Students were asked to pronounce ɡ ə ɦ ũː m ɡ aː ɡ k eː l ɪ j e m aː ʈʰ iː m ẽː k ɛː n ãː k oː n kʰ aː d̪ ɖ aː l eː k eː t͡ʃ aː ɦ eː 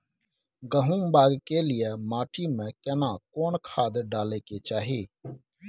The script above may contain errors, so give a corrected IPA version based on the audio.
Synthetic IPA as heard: ɡ ə ɦ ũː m b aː ɡ k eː l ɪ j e m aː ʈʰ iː m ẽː k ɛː n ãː k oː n kʰ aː d̪ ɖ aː l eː k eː t͡ʃ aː ɦ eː